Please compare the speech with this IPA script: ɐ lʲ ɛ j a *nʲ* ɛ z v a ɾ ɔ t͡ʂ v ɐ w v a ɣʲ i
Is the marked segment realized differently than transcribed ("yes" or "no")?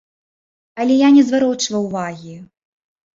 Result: no